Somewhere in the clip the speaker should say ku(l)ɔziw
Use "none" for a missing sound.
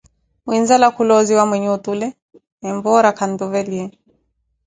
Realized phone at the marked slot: l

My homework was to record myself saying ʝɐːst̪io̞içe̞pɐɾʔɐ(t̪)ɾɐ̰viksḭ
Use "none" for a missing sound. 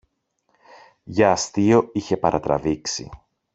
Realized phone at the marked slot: t̪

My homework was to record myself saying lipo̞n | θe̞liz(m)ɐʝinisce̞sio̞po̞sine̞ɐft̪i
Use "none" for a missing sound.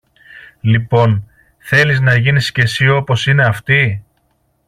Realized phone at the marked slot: n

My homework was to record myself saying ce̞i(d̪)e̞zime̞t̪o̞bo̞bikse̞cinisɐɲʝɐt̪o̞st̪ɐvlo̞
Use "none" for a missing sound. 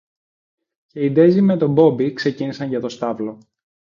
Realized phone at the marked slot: d̪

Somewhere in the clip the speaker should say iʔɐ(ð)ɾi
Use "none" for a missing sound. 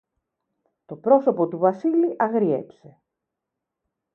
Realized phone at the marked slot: ɣ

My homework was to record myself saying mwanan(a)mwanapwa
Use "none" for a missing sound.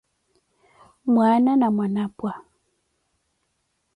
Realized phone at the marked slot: a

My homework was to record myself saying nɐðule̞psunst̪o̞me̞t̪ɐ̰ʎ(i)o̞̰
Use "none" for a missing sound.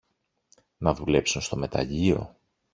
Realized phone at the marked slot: i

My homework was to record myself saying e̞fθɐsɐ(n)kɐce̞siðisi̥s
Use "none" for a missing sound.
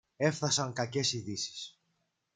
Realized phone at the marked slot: ŋ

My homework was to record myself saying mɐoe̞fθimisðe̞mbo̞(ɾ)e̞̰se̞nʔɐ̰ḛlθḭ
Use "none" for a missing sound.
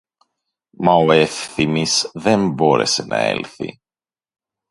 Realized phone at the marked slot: ɾ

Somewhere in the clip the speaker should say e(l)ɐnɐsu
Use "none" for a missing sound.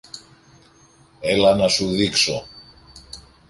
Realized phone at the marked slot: l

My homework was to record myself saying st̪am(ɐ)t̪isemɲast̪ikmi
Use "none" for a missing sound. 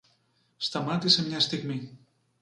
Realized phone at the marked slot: a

